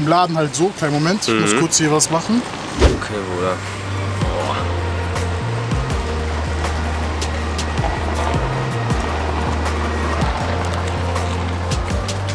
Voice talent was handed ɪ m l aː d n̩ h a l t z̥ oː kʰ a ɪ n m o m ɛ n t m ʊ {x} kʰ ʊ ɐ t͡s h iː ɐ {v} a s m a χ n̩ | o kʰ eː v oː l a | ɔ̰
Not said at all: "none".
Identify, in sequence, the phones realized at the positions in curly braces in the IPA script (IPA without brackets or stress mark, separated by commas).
s, v